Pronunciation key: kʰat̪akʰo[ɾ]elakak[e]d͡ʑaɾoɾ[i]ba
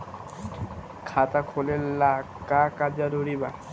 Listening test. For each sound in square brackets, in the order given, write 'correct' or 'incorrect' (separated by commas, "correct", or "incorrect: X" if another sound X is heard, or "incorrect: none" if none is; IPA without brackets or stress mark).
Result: incorrect: l, incorrect: a, correct